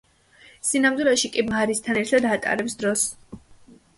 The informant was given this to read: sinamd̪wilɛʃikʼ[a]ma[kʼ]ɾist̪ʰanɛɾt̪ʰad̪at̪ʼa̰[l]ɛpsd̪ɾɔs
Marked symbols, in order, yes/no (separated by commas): no, no, no